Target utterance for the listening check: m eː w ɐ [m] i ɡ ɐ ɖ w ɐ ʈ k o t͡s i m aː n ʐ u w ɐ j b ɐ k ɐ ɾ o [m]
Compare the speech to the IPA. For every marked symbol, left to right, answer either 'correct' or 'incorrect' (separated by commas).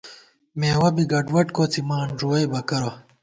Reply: incorrect, incorrect